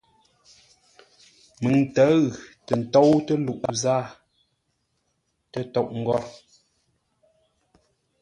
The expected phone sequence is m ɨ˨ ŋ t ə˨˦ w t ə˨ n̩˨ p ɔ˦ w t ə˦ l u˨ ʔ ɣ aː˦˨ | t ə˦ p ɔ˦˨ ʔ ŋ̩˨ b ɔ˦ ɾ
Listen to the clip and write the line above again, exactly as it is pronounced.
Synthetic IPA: m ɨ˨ ŋ t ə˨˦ ɣ t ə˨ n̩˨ t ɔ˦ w t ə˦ l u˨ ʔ z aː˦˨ | t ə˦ t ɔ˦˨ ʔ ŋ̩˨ ɡ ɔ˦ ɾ